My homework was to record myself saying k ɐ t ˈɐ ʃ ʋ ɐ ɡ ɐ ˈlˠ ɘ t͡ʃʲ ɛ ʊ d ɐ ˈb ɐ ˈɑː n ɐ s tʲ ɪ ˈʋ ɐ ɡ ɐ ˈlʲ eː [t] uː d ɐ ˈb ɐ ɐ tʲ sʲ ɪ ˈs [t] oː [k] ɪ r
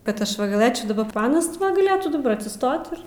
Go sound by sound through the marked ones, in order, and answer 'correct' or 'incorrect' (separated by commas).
correct, correct, incorrect